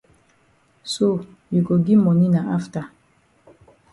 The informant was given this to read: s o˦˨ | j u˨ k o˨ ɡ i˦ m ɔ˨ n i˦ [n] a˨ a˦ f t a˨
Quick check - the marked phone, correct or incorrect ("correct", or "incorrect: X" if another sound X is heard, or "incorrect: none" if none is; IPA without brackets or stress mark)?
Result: correct